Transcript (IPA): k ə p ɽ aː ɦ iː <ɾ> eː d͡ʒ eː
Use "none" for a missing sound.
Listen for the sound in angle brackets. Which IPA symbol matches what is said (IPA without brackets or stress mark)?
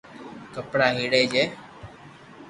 ɽ